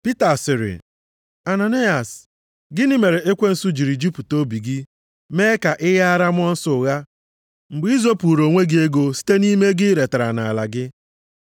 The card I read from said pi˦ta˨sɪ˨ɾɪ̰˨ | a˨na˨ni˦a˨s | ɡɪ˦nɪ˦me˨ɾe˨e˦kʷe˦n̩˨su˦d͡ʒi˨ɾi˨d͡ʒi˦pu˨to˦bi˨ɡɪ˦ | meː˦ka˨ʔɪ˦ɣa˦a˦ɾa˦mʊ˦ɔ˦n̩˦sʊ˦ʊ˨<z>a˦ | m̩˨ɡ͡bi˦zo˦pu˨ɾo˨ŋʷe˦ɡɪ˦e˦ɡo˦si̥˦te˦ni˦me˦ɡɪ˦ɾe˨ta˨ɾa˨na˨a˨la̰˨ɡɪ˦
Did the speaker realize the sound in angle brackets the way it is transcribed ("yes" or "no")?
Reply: no